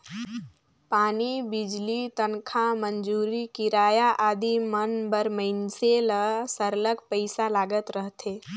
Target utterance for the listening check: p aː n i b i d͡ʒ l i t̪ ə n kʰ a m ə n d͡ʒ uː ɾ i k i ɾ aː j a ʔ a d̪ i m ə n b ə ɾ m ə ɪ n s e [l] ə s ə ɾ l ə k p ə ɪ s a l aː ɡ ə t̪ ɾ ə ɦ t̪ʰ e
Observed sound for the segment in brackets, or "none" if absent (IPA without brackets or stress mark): l